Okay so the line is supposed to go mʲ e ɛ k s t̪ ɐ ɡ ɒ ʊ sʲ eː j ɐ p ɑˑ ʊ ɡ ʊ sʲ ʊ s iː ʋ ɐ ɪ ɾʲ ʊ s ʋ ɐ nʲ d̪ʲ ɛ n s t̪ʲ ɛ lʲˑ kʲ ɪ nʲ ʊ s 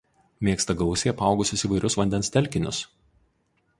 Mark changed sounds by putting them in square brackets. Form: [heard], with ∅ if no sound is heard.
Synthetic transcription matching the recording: mʲ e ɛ k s t̪ ɐ ɡ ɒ ʊ sʲ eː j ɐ p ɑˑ ʊ ɡ ʊ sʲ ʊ s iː ʋ ɐ ɪ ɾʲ ʊ s ʋ ɐ nʲ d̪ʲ ɛ n s t̪ʲ ɛ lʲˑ kʲ ɪ nʲ ʊ s